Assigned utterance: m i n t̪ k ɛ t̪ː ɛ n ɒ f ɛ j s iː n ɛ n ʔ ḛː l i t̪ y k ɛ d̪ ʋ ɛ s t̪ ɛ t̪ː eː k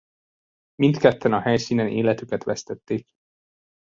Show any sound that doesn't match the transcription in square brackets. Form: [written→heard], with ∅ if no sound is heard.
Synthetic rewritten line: m i n t̪ k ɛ t̪ː ɛ n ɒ [f→h] ɛ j s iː n ɛ n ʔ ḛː l [i→ɛ] t̪ y k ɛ [d̪→t̪] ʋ ɛ s t̪ ɛ t̪ː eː k